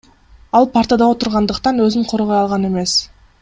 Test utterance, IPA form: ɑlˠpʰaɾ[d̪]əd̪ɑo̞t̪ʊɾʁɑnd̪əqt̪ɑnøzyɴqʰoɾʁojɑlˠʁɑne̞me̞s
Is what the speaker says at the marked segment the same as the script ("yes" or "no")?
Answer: no